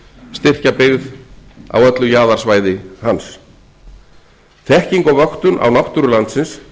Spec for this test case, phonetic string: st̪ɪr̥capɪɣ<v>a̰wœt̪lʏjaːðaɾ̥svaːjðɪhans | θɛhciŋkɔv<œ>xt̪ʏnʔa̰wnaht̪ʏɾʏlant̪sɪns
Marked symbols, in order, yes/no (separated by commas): no, yes